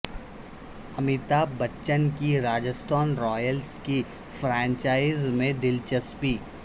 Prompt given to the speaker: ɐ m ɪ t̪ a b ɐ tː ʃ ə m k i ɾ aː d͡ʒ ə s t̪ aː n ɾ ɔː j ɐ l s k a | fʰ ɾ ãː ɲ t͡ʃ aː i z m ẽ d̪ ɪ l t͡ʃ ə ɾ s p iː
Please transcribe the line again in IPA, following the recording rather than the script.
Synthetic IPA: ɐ m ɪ t̪ a b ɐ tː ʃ ə n k i ɾ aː d͡ʒ ə s t̪ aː n ɾ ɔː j ə l s k i | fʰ ɾ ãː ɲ t͡ʃ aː ɪ z m ẽ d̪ ɪ l t͡ʃ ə s p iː

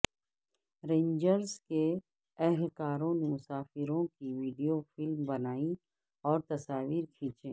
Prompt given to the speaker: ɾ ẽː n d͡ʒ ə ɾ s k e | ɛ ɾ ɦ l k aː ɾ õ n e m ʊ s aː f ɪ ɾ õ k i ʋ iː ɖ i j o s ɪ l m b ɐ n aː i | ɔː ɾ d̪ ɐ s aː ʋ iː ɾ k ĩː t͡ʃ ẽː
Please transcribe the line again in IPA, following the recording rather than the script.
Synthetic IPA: ɾ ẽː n d͡ʒ ə ɾ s k e | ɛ ɦ l k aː ɾ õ n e m ʊ s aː f ɪ ɾ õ k i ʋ iː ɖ i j o f ɪ l m b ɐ n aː i | ɔː ɾ t̪ ɐ s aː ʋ iː ɾ kʰ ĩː t͡ʃ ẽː

